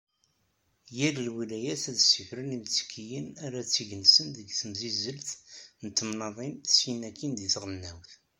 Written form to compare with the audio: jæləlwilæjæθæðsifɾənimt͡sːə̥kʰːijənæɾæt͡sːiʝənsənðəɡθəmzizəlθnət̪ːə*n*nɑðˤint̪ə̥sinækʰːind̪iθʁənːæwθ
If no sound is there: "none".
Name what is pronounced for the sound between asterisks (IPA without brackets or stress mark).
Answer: m